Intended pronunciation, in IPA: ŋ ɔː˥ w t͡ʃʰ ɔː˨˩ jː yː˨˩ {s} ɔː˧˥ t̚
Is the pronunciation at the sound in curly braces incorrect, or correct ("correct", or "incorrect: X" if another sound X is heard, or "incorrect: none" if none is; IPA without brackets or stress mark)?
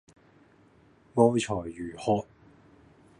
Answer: incorrect: h